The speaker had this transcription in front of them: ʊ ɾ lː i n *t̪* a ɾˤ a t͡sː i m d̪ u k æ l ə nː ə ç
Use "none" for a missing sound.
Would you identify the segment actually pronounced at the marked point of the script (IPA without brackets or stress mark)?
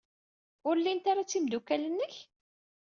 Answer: t̪